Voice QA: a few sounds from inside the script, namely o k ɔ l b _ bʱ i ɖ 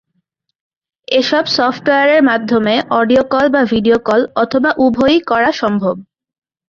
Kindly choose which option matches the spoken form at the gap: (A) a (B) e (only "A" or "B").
A